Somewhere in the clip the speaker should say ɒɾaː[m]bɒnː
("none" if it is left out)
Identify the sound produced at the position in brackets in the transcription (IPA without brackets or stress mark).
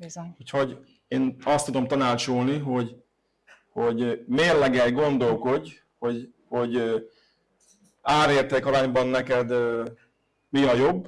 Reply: ɲ